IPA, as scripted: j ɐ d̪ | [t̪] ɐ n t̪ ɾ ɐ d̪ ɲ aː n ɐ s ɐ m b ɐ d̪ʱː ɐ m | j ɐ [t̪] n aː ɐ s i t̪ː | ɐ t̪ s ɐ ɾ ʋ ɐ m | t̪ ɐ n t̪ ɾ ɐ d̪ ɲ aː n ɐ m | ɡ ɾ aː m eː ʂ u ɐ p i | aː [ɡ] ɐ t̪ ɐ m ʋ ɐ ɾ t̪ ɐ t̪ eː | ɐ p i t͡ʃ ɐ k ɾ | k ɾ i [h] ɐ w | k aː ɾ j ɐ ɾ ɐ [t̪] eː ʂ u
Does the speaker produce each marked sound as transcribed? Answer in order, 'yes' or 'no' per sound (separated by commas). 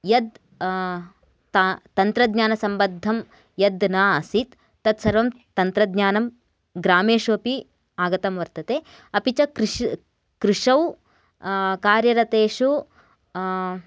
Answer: yes, no, yes, no, yes